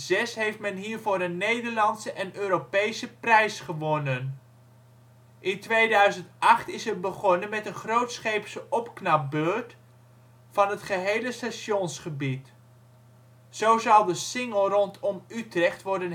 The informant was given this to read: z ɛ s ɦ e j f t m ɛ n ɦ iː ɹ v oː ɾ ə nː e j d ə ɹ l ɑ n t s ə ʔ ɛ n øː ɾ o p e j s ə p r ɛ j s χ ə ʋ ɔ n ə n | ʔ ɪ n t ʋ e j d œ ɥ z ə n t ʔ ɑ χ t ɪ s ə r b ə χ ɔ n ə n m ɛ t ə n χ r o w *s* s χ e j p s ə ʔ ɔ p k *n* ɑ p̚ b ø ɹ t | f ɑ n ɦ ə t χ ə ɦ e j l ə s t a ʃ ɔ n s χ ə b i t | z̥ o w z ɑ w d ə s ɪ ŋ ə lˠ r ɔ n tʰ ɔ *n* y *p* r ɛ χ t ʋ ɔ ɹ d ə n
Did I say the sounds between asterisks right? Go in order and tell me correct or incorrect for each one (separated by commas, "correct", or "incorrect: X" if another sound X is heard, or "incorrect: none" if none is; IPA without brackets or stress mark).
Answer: incorrect: t, correct, incorrect: m, incorrect: t